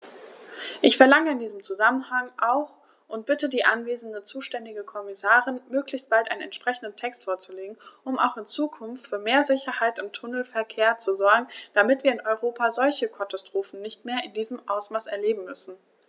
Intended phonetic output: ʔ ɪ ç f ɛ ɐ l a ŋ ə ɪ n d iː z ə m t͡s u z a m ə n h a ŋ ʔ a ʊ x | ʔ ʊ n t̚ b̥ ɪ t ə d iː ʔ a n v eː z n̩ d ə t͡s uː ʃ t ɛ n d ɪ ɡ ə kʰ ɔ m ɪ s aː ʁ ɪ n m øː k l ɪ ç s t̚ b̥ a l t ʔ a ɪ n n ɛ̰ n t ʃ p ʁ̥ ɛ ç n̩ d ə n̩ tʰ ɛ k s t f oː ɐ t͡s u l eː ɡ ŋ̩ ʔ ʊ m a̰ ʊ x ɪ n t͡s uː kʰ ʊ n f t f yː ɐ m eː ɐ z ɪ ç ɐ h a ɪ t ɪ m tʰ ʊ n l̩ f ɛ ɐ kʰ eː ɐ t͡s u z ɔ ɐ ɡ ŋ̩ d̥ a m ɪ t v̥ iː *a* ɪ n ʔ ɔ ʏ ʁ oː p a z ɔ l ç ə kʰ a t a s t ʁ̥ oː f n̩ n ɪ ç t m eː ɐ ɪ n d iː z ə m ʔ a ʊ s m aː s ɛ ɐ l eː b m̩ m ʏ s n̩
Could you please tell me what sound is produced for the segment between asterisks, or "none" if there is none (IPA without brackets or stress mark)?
ɐ